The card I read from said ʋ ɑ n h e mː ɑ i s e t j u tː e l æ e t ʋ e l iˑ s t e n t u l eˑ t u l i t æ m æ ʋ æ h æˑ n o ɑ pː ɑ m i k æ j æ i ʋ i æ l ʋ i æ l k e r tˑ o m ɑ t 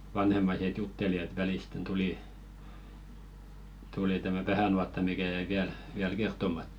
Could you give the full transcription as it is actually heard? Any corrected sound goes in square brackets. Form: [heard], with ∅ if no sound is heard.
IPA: ʋ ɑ n h e mː ɑ i s e t j u tː e l [i] e t ʋ [æ] l iˑ s t e n t u l [iˑ] t u l i t æ m æ ʋ æ h æˑ n [u] ɑ [tː] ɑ m i k æ j æ i ʋ i æ l ʋ i æ l k e r tˑ o m ɑ t